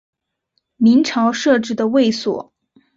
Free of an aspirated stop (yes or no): no